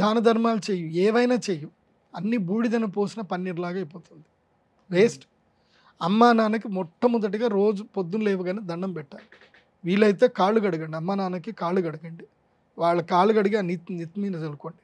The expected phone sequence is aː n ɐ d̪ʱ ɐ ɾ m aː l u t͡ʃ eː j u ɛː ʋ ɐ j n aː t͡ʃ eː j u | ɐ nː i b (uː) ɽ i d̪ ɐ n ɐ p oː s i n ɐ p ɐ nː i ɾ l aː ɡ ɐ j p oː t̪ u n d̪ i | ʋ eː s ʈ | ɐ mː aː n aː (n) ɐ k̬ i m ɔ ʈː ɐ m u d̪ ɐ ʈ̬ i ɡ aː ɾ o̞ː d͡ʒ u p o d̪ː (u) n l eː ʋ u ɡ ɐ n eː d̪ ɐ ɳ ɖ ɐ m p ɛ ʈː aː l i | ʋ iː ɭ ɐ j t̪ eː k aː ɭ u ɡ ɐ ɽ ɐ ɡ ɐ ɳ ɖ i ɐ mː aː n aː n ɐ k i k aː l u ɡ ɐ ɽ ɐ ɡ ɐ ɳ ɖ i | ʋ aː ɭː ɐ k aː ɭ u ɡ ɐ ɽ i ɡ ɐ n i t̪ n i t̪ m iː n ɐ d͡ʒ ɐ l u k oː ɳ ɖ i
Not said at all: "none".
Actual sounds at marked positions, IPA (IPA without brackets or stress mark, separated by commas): uː, n, u